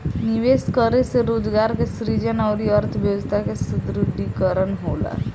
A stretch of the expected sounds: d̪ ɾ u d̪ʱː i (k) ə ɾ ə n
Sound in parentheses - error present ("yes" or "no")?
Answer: no